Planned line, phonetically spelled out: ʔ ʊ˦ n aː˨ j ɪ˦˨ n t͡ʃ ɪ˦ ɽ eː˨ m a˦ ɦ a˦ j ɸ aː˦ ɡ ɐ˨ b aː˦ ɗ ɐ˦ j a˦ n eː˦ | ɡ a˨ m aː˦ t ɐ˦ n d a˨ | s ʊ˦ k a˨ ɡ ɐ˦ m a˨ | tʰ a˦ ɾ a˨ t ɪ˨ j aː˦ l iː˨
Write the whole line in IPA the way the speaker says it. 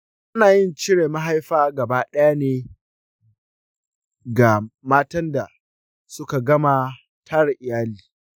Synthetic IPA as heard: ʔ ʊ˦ n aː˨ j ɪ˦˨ n t͡ʃ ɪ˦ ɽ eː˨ m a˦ ɦ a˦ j ɸ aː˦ ɡ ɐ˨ b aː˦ ɗ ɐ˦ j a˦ n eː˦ | ɡ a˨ m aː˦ t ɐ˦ n d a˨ | s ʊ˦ k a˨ ɡ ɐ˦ m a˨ | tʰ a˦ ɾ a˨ ʔ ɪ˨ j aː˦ l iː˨